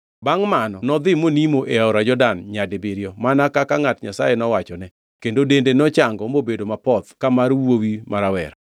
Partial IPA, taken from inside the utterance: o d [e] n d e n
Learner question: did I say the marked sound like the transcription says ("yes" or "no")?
yes